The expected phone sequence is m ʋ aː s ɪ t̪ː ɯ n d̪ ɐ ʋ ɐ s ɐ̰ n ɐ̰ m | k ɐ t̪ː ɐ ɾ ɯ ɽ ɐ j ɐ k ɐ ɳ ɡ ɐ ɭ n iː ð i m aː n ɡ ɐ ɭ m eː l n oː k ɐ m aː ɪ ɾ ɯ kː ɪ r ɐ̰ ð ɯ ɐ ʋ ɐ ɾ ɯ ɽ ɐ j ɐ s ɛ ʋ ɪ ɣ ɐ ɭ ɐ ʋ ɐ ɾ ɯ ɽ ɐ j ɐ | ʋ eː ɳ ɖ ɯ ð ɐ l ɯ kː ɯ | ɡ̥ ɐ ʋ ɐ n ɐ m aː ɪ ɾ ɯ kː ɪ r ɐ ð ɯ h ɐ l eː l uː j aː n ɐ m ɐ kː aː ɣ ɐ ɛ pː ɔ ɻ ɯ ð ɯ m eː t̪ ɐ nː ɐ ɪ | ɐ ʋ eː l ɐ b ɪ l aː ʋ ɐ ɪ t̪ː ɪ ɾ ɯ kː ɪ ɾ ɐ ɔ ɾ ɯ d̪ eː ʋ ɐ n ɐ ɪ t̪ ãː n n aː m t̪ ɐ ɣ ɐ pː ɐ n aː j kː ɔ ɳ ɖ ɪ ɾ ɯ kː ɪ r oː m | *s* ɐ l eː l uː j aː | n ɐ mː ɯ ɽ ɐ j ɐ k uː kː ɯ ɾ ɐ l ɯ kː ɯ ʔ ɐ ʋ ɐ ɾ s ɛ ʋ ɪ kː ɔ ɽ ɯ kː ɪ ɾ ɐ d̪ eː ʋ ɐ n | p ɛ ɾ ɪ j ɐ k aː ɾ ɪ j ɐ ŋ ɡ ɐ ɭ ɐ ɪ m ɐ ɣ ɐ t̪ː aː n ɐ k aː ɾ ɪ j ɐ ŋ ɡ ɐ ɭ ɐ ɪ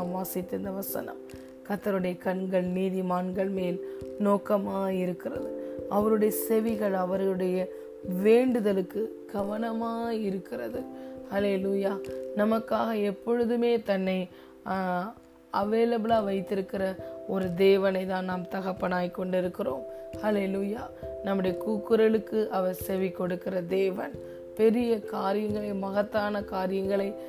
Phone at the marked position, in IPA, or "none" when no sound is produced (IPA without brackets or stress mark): h